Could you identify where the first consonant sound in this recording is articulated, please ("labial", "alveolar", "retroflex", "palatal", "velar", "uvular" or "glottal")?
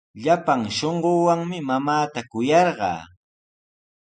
palatal